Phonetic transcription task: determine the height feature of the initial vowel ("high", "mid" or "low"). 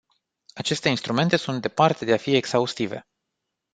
low